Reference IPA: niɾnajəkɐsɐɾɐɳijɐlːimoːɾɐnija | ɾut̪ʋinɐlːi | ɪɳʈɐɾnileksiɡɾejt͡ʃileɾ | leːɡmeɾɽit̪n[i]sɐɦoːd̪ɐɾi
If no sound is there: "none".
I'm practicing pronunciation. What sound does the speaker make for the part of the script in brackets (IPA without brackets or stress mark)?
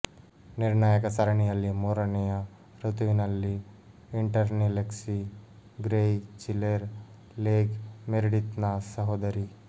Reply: a